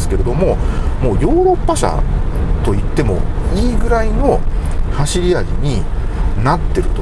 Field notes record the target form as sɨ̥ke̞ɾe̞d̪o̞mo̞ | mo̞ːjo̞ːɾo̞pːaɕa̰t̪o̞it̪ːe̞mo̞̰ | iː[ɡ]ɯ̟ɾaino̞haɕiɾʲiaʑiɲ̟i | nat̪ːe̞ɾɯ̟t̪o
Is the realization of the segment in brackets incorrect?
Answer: no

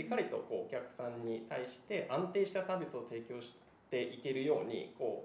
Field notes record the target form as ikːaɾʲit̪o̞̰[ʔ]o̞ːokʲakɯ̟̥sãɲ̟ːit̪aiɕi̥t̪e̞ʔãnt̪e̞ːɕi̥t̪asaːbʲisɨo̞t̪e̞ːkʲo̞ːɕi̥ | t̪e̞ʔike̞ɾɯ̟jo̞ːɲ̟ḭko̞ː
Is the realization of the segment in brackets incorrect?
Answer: yes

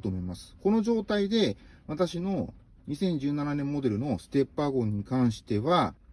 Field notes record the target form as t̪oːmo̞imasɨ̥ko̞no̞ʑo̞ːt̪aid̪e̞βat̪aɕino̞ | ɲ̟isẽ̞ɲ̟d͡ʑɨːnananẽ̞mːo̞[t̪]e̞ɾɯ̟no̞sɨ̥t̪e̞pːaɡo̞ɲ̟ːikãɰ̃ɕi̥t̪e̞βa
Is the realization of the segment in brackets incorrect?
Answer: yes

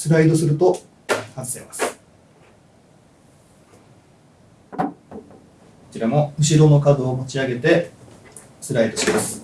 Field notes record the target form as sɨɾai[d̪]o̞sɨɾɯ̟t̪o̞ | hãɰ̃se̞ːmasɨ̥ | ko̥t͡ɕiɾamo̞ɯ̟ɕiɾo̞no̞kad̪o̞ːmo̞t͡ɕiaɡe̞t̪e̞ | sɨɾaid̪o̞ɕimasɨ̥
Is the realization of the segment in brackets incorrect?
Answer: no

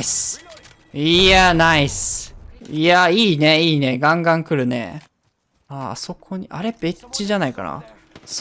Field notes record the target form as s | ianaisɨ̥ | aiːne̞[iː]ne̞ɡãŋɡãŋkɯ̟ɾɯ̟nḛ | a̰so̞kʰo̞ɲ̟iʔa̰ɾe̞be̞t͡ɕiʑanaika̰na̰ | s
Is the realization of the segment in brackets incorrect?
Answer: no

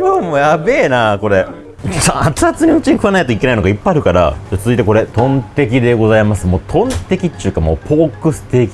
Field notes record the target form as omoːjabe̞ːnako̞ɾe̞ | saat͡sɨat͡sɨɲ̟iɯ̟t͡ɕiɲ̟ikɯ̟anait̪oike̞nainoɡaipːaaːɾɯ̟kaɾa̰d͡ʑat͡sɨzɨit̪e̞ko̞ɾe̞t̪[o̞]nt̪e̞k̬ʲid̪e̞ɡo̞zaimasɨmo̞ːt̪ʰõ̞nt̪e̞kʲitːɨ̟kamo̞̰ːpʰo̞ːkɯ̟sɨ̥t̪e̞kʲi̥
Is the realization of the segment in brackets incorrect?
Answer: yes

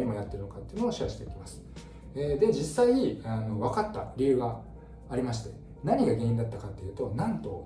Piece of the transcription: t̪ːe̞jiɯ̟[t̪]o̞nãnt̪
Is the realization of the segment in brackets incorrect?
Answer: no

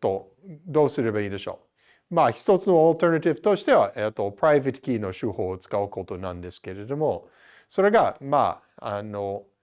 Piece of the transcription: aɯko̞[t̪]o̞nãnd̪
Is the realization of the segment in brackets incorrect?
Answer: no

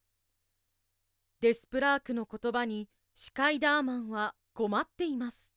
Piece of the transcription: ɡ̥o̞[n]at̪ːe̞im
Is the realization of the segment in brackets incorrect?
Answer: yes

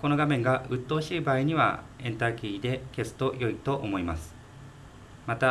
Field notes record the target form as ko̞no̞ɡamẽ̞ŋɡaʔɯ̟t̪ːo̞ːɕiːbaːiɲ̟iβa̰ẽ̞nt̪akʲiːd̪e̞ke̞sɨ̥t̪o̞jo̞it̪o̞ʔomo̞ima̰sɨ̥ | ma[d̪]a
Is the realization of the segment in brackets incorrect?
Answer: yes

